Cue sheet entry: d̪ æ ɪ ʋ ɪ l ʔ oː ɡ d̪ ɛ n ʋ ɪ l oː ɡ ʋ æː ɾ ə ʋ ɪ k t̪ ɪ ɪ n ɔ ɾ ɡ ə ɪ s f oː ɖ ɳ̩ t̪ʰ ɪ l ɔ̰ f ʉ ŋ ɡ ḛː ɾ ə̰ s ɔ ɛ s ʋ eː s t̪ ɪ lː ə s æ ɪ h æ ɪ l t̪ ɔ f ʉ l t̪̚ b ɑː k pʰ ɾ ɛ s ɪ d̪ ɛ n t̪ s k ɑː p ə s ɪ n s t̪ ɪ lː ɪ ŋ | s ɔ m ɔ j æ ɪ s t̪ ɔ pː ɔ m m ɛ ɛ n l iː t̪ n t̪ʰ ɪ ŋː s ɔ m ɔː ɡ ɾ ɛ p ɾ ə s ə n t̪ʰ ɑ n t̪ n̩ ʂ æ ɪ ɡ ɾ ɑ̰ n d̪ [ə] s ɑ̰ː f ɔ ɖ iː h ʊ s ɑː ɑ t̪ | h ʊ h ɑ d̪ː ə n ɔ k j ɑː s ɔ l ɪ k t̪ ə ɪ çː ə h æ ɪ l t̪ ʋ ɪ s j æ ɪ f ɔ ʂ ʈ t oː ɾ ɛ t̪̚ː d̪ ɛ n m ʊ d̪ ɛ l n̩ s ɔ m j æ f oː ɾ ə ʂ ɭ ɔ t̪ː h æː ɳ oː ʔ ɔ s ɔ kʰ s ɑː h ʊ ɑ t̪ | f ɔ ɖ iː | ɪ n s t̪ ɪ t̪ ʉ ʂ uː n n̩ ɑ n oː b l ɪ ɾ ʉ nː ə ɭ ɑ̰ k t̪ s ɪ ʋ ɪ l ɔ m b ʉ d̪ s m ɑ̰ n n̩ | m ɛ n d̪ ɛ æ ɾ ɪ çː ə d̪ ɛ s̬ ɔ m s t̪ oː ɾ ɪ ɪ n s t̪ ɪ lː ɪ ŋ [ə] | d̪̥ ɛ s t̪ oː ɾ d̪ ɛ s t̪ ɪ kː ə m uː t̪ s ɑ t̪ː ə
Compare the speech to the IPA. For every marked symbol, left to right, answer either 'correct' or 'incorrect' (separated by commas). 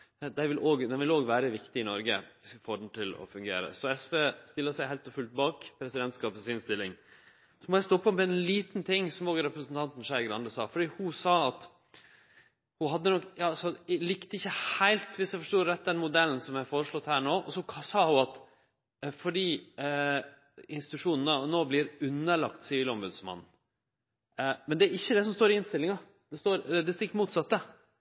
correct, incorrect